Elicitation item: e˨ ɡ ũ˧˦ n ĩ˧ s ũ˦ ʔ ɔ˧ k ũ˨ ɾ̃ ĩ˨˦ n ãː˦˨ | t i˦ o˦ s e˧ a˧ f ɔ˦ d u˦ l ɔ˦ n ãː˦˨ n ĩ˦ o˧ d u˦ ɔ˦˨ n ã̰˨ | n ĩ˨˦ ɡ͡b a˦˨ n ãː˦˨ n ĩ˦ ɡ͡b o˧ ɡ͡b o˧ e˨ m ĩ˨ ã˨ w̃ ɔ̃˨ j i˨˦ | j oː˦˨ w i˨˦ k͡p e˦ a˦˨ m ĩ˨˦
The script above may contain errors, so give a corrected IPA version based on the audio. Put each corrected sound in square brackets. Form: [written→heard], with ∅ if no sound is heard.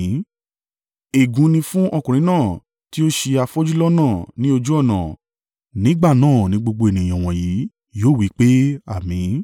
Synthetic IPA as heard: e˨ ɡ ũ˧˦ n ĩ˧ [s→f] ũ˦ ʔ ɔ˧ k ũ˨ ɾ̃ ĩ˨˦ n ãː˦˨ | t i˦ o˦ [s→ʃ] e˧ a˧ f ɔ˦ [d→d͡ʒ] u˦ l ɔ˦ n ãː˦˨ n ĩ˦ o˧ [d→d͡ʒ] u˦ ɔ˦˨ n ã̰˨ | n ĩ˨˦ ɡ͡b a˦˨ n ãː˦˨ n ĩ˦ ɡ͡b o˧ ɡ͡b o˧ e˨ [m→n] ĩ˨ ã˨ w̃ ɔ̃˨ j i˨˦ | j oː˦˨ w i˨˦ k͡p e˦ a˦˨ m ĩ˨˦